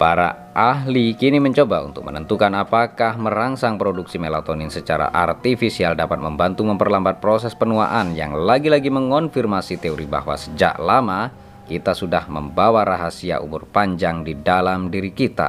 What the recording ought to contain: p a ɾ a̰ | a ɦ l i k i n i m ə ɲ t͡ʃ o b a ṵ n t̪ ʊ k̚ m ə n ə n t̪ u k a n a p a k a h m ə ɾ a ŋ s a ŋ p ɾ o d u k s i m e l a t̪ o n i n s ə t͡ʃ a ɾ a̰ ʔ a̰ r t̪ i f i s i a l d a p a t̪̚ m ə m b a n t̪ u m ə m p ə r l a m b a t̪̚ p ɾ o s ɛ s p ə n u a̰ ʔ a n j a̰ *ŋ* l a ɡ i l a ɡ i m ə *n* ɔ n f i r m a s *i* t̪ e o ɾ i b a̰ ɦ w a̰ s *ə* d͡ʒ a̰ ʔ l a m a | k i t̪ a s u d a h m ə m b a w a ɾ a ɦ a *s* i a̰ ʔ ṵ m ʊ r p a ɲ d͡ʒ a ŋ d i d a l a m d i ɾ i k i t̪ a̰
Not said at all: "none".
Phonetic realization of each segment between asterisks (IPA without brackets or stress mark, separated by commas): ŋ, ŋ, i, ə, s